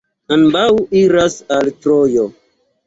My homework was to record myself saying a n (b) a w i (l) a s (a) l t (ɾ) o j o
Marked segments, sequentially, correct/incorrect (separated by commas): correct, incorrect, correct, correct